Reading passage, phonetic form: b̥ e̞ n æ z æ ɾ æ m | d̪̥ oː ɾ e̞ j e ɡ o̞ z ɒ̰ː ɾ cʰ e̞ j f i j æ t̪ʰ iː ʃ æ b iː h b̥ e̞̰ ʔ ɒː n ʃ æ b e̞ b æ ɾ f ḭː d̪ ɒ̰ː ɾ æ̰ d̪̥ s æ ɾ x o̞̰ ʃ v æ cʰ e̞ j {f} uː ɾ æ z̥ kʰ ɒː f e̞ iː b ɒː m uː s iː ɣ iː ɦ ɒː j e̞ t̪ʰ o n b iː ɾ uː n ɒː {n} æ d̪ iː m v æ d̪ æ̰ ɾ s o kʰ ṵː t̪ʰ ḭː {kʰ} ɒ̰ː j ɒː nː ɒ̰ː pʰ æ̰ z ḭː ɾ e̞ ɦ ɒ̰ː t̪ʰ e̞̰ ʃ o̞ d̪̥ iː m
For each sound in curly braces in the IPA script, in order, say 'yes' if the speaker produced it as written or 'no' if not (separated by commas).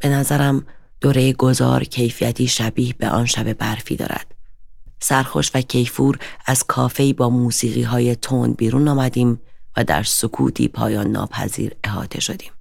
yes, no, no